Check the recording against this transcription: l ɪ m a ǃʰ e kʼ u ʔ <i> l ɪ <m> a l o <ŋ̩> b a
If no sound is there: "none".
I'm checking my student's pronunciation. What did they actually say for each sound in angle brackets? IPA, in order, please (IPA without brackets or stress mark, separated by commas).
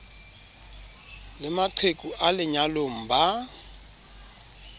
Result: a, ɲ, m̩